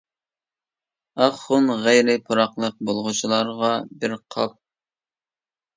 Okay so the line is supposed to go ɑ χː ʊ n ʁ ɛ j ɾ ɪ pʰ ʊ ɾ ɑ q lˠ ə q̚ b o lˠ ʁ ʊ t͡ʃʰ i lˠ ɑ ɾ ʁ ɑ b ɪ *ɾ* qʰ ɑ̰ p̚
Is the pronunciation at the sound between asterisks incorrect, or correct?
correct